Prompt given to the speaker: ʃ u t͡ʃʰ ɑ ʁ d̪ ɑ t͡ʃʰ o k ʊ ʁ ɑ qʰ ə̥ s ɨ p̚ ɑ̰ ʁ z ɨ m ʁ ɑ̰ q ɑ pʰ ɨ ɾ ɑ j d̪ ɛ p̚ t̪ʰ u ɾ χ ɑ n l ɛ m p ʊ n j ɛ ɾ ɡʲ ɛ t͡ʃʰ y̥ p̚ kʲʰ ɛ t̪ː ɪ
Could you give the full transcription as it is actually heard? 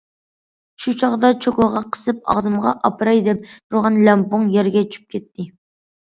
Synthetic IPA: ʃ u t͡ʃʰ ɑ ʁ d̪ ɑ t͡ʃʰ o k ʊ ʁ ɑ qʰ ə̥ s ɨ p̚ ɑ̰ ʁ z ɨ m ʁ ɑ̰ ʔ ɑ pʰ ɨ ɾ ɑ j d̪ ɛ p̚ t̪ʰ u ɾ ʁ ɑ n l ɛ m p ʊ ŋ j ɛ ɾ ɡʲ ɛ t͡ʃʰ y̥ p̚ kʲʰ ɛ t̪ː ɪ